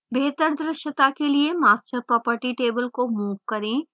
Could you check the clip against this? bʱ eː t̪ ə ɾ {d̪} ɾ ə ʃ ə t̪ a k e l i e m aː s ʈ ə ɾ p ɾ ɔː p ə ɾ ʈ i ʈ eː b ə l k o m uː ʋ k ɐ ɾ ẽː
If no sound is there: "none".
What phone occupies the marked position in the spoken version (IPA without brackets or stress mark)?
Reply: d̪